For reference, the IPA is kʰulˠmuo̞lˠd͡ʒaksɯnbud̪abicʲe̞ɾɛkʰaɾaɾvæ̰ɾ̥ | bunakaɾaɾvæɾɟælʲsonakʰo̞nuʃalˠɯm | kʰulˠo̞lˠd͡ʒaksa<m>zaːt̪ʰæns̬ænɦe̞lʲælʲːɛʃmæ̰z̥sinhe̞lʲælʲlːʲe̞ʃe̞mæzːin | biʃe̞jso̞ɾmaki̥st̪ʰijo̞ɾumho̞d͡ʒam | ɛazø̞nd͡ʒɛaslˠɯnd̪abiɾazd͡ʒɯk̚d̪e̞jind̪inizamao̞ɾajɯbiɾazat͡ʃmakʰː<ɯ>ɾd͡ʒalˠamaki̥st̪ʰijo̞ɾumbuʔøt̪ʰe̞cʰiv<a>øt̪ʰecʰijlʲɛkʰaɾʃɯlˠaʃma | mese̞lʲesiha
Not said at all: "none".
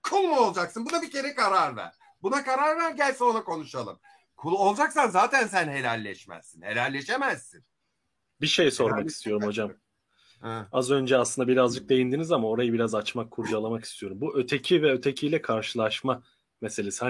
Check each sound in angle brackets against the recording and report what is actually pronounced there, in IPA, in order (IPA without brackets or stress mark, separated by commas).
n, u, ɛ